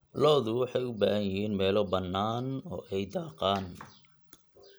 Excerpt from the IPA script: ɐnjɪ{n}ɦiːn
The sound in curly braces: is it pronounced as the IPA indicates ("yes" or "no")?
no